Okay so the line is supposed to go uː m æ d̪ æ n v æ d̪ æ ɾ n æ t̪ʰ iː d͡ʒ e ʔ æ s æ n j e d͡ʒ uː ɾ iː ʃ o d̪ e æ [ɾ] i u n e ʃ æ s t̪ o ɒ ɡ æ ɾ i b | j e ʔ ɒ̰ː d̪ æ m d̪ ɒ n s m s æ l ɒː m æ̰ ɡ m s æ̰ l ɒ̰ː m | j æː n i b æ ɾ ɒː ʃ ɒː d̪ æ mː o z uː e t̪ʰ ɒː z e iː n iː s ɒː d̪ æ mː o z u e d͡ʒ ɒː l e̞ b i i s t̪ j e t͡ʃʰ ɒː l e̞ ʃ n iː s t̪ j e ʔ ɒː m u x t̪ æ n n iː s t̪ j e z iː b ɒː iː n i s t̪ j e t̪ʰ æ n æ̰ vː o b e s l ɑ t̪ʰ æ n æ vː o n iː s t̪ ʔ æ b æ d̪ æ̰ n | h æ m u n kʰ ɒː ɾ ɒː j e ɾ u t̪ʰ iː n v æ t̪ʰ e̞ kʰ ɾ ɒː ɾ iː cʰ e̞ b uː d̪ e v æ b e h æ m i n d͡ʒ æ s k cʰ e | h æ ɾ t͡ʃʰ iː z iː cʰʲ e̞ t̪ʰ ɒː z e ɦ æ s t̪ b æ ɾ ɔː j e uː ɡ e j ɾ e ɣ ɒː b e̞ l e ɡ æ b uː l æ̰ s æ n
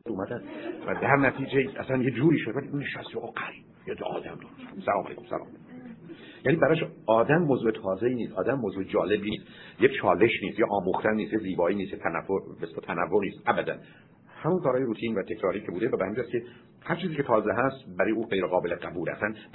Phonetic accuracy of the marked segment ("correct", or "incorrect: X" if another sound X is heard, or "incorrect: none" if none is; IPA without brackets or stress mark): incorrect: l